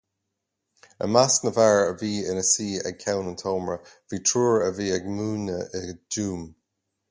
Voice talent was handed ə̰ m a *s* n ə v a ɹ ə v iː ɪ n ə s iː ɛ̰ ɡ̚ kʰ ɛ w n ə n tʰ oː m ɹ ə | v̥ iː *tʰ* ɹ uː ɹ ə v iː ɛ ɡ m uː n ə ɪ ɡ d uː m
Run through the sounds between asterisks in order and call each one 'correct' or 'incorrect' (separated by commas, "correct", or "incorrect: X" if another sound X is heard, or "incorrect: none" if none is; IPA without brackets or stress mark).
correct, correct